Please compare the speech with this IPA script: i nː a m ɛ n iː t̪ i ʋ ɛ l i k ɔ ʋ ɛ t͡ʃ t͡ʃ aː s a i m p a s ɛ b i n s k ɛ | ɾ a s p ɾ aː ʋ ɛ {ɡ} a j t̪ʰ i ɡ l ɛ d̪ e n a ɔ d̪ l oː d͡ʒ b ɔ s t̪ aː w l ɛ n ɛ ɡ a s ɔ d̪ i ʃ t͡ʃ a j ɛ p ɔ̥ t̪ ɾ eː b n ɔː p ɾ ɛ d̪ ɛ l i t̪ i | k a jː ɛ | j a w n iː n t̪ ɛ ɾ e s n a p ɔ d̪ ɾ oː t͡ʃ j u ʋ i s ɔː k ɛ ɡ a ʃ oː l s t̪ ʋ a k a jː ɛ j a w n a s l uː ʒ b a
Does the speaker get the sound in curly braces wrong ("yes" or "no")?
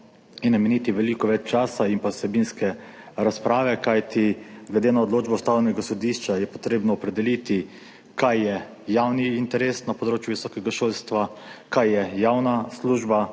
yes